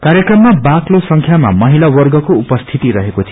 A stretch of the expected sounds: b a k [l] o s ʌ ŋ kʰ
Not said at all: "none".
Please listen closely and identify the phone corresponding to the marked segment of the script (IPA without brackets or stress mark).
l